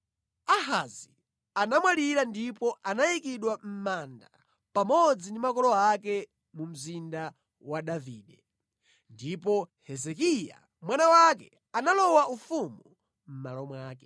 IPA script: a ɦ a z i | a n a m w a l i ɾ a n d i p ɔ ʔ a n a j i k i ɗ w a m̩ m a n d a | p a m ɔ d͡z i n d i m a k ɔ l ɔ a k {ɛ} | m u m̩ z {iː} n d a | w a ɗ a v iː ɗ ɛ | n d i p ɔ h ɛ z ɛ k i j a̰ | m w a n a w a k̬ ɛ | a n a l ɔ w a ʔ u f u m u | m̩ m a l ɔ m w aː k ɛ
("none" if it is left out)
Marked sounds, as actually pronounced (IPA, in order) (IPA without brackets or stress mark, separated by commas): ɛ, i